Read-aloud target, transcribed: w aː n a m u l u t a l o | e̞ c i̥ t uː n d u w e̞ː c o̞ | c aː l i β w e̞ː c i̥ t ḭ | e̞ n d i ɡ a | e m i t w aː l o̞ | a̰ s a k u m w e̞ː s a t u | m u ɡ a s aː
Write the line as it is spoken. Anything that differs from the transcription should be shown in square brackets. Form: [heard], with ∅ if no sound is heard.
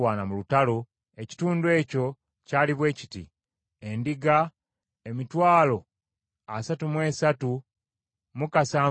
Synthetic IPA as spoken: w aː n a m u l u t a l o | e̞ c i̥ t uː n d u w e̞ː c o̞ | c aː l i β w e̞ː c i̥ t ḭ | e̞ n d i ɡ a | e m i t w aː l o̞ | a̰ s a [t] u m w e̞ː s a t u | m u [k] a s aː